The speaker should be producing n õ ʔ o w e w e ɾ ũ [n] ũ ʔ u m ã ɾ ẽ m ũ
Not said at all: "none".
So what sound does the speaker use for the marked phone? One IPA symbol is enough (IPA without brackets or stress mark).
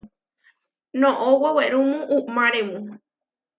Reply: m